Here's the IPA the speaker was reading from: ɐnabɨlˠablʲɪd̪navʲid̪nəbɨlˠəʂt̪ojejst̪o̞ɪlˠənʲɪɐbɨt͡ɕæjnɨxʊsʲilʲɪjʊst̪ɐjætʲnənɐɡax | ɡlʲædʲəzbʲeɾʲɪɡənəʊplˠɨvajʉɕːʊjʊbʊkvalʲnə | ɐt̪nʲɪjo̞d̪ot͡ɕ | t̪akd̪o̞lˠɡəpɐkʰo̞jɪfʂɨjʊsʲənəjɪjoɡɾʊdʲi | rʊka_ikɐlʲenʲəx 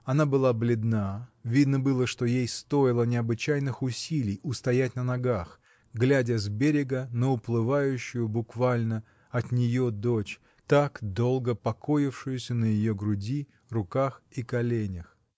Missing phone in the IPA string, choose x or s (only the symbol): x